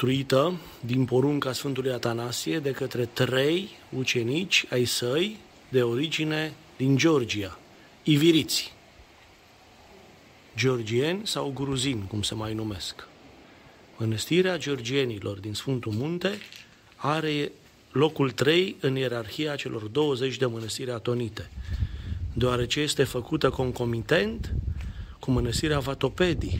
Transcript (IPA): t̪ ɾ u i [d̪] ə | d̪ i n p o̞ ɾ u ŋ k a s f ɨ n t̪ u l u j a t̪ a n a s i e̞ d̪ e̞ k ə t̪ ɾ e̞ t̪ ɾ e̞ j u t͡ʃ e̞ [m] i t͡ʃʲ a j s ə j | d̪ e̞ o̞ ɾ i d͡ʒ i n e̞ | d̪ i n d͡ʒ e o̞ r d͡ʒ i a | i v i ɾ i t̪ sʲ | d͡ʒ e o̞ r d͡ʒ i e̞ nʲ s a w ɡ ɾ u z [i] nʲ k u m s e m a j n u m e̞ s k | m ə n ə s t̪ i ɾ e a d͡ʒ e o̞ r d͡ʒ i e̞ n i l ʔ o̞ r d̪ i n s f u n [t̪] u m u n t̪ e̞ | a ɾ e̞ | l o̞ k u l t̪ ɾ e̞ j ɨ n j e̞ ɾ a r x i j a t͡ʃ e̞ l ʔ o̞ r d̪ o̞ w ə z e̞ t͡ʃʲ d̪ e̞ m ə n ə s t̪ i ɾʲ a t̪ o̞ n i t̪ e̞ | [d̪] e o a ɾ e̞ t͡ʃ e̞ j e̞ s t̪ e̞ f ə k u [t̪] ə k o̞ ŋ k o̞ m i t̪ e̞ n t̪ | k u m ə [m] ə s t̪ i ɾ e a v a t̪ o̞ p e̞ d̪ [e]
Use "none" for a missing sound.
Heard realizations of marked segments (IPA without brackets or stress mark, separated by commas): t̪, n, i, t̪, d̪, t̪, n, i